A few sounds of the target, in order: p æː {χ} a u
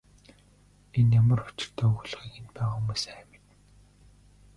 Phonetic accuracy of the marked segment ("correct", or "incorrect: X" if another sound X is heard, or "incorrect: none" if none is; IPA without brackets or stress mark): incorrect: ʁ